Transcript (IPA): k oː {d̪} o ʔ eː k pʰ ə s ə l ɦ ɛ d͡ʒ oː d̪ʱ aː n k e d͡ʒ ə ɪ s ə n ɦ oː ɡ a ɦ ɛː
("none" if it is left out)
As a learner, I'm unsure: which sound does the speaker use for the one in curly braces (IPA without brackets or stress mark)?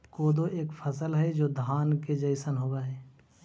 d̪